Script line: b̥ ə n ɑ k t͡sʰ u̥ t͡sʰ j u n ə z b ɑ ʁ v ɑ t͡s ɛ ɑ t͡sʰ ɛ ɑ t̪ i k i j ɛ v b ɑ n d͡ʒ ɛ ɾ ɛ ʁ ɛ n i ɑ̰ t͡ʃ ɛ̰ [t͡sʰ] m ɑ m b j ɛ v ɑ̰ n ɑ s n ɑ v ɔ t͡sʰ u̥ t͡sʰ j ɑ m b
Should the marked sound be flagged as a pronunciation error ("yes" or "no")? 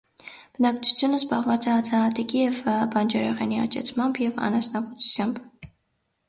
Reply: no